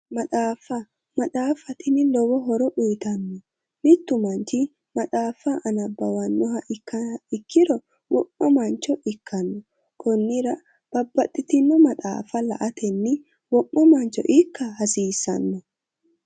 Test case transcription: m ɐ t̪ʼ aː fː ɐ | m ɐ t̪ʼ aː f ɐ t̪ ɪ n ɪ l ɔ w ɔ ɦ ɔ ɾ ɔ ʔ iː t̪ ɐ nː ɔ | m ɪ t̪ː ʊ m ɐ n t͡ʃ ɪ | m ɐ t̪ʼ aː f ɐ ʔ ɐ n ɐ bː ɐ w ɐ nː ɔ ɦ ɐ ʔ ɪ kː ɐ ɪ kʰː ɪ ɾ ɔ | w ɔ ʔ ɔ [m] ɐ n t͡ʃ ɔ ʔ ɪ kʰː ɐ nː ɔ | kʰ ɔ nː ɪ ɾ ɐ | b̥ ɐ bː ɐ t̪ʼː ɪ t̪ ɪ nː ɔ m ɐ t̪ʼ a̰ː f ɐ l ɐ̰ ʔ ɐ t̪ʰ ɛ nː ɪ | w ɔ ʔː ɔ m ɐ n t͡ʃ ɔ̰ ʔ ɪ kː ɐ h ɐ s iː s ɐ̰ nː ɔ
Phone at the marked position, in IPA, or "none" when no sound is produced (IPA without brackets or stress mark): m